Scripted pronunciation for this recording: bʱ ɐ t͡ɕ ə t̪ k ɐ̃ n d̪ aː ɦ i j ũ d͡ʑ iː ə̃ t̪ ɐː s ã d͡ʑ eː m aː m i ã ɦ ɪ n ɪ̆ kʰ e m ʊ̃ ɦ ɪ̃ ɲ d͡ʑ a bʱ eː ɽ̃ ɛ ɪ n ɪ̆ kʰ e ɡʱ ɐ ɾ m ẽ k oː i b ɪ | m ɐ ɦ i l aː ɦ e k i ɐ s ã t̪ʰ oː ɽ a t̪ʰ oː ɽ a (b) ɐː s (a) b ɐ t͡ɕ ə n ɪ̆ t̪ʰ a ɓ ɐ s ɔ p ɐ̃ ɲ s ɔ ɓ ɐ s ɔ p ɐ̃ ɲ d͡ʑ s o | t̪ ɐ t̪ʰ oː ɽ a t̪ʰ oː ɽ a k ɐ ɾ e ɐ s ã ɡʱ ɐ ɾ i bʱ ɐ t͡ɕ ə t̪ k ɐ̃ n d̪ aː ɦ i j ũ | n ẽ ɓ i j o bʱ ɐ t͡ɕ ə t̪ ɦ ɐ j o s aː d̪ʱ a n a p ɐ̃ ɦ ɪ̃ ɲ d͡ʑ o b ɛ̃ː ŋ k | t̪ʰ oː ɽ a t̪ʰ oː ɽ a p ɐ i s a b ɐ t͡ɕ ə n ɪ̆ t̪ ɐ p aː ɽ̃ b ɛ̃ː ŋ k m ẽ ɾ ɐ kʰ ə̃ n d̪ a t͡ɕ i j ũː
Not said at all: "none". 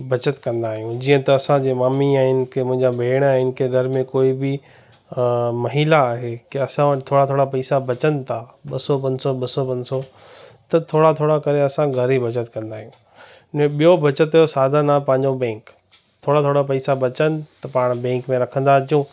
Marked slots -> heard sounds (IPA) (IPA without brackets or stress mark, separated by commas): p, a